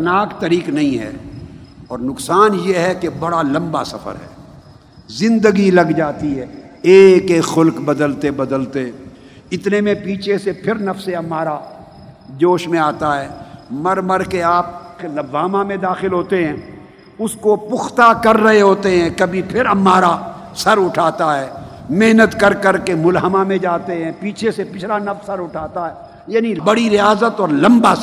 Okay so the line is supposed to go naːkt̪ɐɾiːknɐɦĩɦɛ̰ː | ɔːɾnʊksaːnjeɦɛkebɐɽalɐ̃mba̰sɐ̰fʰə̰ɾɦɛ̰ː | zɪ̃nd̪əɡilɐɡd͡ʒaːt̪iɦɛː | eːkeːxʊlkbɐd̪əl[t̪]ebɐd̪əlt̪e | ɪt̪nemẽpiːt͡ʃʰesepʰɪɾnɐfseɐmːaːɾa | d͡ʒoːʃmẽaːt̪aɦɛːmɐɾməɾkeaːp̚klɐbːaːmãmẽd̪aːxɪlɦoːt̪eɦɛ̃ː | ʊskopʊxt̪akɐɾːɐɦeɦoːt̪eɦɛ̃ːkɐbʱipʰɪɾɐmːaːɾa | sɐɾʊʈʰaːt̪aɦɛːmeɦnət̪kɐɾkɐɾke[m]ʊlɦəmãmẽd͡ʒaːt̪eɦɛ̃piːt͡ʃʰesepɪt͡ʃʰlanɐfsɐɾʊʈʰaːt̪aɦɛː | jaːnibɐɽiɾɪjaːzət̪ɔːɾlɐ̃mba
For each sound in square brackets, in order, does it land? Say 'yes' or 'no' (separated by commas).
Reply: yes, yes